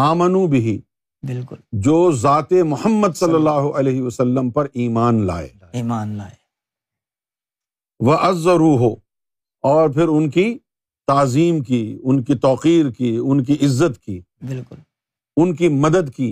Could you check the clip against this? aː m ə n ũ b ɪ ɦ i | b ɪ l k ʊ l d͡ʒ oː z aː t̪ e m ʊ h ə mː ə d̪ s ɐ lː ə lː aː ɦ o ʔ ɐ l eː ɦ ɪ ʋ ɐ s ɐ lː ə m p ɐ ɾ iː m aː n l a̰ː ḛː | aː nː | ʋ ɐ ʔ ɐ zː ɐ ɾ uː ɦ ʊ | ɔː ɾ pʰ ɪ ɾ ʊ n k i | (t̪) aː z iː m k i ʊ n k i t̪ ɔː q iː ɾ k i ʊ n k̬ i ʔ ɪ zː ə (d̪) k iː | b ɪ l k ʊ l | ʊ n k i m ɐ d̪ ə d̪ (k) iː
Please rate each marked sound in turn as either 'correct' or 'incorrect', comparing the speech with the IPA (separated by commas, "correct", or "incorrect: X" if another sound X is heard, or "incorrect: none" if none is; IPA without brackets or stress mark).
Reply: correct, incorrect: t̪, correct